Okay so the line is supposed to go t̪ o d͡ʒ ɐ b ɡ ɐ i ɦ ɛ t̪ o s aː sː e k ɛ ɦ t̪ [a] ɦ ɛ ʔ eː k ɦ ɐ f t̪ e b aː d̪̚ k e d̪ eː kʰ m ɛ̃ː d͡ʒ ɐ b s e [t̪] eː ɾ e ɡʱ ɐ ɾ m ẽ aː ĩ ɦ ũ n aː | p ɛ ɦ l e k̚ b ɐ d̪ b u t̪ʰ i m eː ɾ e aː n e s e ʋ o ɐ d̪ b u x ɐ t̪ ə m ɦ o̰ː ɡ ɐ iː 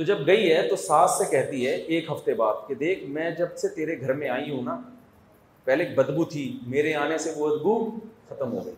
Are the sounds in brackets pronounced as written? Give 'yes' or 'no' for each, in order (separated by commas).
no, yes